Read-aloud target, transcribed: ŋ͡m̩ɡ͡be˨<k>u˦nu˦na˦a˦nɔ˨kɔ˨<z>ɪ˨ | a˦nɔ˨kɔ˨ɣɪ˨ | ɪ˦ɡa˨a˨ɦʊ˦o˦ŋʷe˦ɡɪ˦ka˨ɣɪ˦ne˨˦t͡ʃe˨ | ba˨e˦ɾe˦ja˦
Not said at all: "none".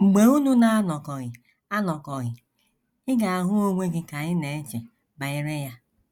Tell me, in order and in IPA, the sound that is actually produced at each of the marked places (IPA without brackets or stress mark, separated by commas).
none, ɣ